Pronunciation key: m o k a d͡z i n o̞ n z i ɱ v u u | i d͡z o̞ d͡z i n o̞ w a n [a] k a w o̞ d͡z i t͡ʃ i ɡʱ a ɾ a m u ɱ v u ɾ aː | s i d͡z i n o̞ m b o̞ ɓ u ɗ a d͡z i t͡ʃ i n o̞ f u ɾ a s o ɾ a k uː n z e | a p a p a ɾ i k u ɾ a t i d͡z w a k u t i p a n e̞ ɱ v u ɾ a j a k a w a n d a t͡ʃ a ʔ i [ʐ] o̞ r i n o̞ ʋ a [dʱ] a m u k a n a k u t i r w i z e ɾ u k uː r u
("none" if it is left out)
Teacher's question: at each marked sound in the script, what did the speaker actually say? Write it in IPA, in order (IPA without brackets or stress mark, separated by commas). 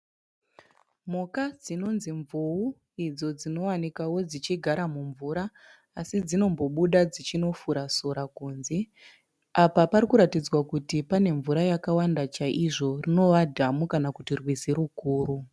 i, ʐ, dʱ